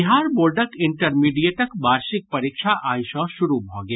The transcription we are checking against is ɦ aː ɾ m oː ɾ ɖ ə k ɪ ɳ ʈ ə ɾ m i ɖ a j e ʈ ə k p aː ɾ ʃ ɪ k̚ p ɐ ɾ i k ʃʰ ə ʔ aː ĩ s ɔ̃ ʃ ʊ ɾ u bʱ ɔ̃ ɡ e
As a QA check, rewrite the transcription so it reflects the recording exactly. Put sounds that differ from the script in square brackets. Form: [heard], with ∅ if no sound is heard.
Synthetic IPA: ɦ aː ɾ [b] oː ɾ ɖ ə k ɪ ɳ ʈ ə ɾ m i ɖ [i] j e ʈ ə k [b] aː ɾ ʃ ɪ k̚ p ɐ ɾ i k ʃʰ [a] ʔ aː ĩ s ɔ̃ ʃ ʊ ɾ u bʱ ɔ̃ ɡ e